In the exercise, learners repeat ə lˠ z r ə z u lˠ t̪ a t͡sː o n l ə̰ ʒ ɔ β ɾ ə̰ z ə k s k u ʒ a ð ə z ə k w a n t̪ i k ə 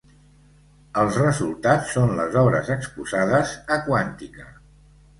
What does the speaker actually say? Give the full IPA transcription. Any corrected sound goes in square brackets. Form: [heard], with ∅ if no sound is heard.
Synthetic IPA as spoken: ə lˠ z r ə z u lˠ t̪ a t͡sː o n l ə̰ [z] ɔ β ɾ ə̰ z ə k s [p] u [z] a ð ə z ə k w a n t̪ i k ə